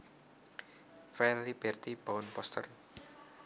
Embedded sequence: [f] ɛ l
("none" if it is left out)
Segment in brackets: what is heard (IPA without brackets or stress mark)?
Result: f